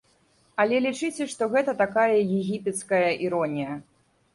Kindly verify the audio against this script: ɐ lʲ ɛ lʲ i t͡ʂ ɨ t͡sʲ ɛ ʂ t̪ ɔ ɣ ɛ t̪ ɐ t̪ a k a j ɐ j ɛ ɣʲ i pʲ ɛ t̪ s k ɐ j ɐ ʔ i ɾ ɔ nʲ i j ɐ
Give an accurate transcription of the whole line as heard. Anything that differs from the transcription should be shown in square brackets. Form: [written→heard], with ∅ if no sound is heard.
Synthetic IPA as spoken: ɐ lʲ ɛ lʲ i t͡ʂ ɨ t͡sʲ ɛ ʂ t̪ ɔ ɣ ɛ t̪ ɐ t̪ a k a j ɐ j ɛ ɣʲ i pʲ ɛ t̪ s k ɐ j ɐ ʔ i ɾ ɔ nʲ i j ɐ